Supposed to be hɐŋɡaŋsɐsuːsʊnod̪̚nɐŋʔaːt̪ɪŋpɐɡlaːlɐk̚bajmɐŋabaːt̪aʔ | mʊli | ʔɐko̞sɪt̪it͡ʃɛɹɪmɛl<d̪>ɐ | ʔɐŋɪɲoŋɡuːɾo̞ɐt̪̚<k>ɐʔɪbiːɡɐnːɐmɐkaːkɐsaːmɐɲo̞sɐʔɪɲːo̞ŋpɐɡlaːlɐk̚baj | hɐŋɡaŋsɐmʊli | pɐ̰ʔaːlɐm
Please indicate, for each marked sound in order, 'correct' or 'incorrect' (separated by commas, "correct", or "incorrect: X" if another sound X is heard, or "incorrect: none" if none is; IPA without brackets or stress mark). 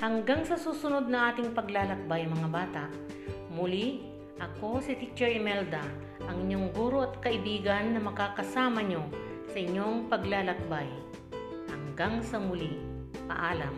correct, correct